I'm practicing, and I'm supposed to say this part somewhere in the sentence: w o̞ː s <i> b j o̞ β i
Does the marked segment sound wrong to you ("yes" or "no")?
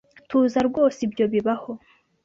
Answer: no